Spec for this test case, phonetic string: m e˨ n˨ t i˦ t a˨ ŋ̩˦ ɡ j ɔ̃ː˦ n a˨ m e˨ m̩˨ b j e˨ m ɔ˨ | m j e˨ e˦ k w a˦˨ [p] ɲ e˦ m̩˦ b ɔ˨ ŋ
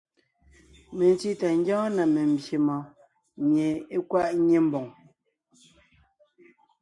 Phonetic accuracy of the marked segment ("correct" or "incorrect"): incorrect